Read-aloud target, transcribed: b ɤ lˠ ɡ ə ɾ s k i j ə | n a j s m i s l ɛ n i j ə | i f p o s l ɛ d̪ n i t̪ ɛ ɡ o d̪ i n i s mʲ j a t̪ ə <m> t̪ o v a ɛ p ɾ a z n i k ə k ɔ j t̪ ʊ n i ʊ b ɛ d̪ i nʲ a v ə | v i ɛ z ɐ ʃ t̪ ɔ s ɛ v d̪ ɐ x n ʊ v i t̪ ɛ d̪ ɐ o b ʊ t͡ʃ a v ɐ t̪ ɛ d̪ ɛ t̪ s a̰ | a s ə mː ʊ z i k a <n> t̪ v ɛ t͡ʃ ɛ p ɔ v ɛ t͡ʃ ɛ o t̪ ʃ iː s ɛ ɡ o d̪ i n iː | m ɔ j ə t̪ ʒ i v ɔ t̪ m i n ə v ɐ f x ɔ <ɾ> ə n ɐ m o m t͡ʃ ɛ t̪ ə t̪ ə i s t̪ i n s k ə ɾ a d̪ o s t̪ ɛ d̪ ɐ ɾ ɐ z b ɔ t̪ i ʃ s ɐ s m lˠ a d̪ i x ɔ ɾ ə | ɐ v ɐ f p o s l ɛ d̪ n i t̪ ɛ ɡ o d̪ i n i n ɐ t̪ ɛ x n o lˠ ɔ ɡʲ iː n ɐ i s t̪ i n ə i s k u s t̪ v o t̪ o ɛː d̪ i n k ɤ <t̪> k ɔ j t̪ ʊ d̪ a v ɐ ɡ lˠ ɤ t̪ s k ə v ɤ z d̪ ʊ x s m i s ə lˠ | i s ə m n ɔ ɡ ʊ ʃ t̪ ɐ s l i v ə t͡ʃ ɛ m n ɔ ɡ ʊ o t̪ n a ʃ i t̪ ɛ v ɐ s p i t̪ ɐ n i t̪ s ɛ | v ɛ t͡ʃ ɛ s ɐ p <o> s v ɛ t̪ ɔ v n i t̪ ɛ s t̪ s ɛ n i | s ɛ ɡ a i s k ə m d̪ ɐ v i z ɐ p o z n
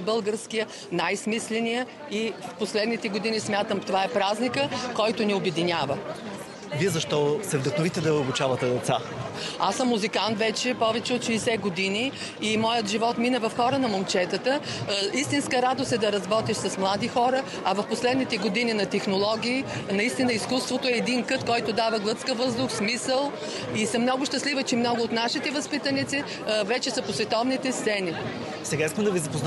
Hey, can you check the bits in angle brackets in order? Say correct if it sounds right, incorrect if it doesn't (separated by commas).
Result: correct, correct, correct, correct, correct